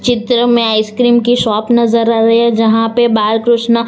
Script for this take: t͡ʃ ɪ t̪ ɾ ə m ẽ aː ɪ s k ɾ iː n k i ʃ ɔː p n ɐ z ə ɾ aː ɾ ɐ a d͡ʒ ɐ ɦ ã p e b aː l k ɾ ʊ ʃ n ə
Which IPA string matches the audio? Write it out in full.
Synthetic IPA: t͡ʃ ɪ t̪ ɾ ə m ẽ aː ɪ s k ɾ iː m k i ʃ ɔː p n ɐ z ə ɾ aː ɾ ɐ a d͡ʒ ɐ ɦ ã p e b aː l k ɾ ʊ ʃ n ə